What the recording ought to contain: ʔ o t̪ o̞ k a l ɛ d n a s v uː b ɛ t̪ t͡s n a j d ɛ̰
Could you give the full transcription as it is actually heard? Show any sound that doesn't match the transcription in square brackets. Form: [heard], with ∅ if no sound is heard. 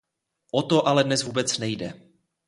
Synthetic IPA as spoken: ʔ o t̪ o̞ [ʔ] a l ɛ d n [ɛ] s v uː b ɛ [∅] t͡s n [ɛ] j d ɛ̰